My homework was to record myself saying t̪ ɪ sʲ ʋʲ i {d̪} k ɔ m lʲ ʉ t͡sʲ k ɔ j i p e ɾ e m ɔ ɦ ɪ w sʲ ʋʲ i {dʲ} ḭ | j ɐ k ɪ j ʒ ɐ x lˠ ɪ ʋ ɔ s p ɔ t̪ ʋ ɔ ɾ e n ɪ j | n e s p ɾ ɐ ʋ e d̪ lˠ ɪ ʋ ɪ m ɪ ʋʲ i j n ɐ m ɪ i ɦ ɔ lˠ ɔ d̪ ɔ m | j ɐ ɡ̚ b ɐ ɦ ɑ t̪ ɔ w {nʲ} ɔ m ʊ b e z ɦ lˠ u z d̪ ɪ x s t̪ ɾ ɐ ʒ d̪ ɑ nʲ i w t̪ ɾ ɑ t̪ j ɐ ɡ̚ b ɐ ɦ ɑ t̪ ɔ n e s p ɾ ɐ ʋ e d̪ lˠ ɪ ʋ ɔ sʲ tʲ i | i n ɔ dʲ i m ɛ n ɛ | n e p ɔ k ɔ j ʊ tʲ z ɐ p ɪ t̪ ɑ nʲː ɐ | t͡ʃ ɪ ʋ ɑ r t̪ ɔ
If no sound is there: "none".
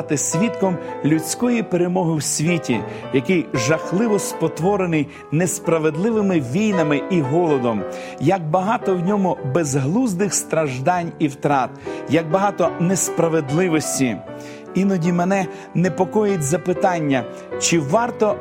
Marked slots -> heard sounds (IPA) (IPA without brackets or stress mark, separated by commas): t̪, tʲ, nʲ